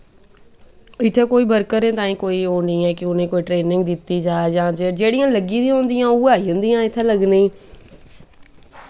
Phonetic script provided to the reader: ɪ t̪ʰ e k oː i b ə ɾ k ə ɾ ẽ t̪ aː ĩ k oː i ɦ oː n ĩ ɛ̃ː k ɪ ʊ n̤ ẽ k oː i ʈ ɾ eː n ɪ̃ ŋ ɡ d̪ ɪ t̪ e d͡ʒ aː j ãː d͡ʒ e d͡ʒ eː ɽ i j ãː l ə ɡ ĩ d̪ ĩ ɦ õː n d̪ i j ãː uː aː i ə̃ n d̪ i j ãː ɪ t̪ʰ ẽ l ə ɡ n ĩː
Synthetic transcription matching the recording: ɪ t̪ʰ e k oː i b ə ɾ k ə ɾ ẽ t̪ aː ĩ k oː i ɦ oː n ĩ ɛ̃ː k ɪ ʊ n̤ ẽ k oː i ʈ ɾ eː n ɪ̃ ŋ ɡ d̪ ɪ t̪ i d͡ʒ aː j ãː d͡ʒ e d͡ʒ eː ɽ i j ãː l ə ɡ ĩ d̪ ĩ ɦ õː n d̪ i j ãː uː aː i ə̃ n d̪ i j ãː ɪ t̪ʰ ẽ l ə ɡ n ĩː